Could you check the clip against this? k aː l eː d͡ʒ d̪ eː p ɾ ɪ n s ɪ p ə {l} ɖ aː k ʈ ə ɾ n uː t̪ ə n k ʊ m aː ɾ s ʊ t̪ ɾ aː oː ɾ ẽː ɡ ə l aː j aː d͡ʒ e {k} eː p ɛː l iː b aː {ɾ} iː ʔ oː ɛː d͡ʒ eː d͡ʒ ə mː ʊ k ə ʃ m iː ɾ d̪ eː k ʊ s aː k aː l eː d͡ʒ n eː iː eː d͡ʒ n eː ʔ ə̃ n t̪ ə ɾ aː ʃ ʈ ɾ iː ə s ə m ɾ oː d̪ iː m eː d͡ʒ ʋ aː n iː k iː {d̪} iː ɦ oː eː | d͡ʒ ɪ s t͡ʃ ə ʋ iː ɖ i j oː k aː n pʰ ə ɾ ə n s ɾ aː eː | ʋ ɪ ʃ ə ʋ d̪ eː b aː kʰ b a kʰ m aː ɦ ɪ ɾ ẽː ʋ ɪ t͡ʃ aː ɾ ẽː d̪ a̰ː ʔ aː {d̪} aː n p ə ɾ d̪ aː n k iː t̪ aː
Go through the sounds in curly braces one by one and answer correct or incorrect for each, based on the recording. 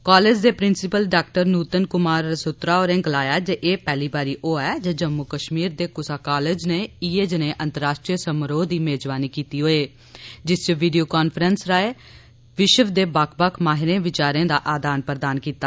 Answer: correct, incorrect, correct, incorrect, correct

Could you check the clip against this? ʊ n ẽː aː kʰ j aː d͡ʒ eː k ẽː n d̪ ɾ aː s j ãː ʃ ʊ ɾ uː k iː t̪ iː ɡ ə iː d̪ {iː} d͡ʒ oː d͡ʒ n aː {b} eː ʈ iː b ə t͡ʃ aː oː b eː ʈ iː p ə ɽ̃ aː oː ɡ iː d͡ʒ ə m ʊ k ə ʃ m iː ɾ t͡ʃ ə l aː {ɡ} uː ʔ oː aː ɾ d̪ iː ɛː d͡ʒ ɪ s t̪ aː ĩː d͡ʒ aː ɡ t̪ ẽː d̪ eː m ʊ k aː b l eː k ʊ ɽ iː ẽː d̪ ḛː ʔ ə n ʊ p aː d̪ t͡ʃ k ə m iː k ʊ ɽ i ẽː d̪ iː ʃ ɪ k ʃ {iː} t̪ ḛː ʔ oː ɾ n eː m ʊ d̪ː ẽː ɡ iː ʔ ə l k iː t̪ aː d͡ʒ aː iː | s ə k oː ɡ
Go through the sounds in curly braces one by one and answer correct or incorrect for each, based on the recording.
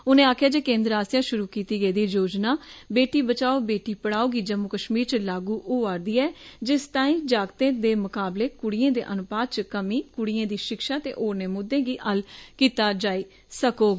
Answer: correct, correct, correct, incorrect

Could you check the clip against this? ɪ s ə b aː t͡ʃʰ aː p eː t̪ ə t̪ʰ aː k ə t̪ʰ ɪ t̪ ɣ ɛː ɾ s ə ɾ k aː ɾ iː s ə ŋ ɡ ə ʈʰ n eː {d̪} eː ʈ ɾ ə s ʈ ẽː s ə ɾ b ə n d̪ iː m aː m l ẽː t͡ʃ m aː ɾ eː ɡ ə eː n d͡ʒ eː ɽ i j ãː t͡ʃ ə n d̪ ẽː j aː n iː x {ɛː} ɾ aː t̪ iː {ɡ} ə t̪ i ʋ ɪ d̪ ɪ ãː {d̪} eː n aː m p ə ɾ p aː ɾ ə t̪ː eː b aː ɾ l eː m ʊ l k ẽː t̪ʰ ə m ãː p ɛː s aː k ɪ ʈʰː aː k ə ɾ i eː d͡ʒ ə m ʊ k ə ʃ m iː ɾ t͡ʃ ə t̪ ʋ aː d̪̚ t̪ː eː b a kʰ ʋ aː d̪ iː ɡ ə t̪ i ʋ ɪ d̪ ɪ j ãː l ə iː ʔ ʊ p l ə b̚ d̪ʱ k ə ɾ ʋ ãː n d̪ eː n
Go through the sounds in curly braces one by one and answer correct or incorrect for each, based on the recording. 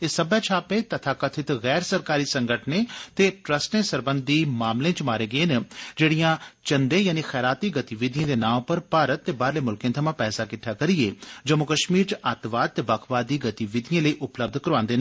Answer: incorrect, correct, correct, correct

